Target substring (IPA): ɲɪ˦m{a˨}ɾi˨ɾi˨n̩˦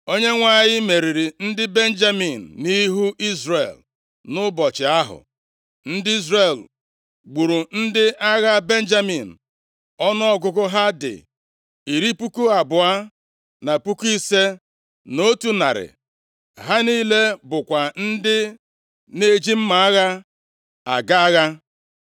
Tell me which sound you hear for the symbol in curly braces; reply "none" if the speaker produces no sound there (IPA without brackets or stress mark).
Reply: e˨